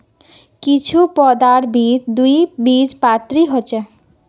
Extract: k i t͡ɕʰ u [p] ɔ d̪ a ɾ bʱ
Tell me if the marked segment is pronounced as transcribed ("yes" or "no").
yes